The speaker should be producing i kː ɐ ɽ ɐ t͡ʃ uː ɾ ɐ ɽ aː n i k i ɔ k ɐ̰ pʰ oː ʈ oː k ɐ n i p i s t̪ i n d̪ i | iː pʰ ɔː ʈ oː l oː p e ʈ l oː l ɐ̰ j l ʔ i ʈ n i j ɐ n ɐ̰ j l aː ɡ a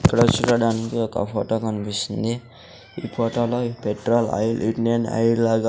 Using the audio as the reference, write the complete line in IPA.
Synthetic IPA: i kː ɐ ɽ ɐ t͡ʃ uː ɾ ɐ ɽ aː n i k i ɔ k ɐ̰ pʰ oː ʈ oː k ɐ n i p i s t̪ i n d̪ i | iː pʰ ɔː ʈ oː l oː p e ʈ ɾ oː l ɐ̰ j l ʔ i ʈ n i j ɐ n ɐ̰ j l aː ɡ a